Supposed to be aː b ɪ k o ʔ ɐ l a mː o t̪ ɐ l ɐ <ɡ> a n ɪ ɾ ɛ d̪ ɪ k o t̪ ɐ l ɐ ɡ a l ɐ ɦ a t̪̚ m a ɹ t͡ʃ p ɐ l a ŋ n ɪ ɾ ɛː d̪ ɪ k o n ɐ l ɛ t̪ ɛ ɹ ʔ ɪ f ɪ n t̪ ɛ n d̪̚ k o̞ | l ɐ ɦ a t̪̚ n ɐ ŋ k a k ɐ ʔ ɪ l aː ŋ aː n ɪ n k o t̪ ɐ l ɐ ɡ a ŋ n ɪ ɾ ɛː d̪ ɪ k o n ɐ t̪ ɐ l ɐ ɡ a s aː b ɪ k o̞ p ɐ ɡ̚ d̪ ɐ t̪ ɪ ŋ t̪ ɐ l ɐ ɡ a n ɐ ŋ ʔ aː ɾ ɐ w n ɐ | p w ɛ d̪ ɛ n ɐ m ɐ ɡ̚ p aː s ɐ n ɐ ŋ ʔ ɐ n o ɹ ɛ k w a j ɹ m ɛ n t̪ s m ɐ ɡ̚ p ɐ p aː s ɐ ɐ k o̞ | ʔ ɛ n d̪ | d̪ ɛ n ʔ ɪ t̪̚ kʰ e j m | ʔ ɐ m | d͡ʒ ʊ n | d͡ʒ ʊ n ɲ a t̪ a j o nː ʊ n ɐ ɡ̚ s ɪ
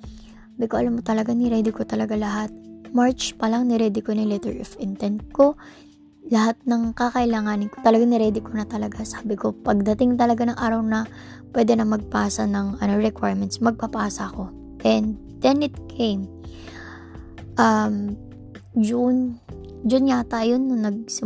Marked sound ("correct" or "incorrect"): correct